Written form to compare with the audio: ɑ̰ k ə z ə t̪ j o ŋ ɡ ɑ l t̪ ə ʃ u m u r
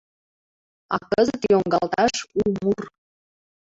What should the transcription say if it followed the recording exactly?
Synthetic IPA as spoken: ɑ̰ k ə z ə t̪ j o ŋ ɡ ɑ l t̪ ɑ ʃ u m u r